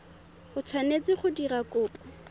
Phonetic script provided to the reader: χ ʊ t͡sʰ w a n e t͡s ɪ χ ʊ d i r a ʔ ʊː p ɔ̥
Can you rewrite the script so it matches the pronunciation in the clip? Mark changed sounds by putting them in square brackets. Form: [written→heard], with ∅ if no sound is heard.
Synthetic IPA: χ ʊ t͡sʰ w a n e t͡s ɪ χ ʊ d i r a [ʔ→k] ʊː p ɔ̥